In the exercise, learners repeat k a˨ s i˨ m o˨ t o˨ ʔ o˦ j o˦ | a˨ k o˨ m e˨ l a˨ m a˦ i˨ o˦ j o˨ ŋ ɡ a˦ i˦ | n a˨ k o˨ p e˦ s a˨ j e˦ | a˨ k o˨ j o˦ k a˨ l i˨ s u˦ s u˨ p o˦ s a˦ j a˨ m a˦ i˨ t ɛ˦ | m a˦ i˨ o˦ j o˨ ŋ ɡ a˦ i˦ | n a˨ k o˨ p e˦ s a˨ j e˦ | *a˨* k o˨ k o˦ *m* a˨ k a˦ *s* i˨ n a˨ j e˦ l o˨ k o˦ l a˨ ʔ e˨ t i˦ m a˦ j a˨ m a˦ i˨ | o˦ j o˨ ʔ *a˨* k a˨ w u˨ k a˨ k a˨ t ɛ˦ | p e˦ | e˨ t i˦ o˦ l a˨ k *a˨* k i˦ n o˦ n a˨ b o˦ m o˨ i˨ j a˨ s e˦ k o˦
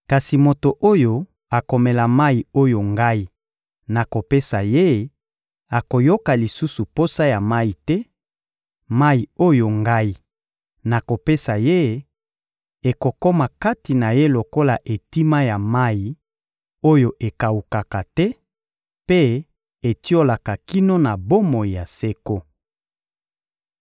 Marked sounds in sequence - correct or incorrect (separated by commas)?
incorrect, correct, incorrect, incorrect, correct